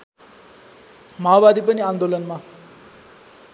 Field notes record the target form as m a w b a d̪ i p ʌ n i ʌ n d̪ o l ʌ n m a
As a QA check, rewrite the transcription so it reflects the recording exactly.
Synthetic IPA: m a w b a d̪ i p ʌ n i a n d̪ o l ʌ n m a